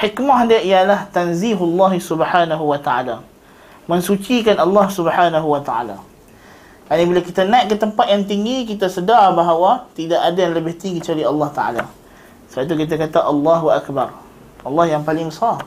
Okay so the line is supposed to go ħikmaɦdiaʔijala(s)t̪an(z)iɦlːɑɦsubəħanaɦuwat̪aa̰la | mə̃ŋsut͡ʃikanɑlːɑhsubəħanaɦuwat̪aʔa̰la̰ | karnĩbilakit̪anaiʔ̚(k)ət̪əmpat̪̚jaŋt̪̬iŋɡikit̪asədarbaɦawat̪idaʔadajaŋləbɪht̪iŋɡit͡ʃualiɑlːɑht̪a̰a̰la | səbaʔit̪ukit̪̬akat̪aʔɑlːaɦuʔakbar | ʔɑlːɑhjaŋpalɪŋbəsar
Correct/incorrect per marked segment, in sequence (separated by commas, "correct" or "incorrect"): incorrect, correct, correct